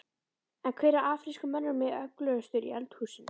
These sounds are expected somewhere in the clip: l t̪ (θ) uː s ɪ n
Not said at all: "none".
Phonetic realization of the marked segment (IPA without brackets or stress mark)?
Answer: h